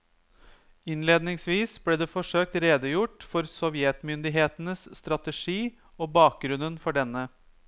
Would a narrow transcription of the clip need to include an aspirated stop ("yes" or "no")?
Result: no